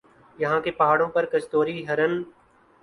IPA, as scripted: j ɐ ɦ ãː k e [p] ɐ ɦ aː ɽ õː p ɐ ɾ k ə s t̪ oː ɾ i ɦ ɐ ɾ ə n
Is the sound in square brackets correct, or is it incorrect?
correct